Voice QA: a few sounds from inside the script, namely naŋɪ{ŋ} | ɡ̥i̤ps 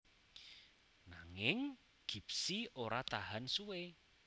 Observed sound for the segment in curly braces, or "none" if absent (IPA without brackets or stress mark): ŋ